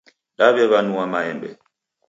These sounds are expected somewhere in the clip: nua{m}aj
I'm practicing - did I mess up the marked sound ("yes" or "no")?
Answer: no